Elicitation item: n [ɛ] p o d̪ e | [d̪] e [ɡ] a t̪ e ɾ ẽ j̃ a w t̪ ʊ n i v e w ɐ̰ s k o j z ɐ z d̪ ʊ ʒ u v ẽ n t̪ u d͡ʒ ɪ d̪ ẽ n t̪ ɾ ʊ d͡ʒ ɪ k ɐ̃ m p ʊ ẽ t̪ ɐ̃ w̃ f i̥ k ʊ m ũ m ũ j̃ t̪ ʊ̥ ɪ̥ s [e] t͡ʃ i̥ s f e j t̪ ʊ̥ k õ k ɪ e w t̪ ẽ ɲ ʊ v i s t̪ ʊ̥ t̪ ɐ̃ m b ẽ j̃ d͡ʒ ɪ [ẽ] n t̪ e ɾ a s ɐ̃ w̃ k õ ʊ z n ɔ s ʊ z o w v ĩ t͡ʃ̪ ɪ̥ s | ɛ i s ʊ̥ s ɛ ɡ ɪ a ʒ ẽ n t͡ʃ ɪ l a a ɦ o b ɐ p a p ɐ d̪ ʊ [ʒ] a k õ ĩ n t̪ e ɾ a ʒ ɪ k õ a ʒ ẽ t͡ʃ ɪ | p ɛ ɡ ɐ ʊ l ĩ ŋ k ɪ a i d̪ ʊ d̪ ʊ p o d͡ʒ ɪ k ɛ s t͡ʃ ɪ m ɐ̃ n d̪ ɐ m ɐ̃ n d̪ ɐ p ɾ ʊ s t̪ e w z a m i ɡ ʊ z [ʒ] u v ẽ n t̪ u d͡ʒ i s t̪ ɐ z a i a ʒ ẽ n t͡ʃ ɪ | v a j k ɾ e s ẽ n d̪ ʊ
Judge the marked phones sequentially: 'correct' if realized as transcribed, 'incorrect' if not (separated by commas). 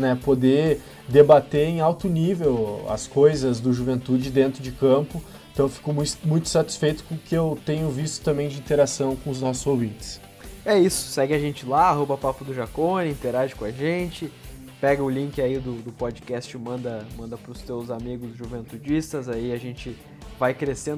correct, correct, incorrect, incorrect, incorrect, correct, correct